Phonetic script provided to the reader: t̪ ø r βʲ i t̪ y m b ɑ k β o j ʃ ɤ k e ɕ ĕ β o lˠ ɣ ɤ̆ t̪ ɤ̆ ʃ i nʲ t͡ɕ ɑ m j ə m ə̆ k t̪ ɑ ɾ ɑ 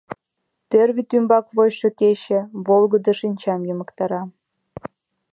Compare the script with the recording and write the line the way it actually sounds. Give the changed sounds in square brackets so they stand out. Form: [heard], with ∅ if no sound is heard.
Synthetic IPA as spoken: t̪ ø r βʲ i t̪ y m b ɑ k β o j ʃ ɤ k e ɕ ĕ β o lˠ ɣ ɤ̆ [d̪] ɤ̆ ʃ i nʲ t͡ɕ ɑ m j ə m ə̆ k t̪ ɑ ɾ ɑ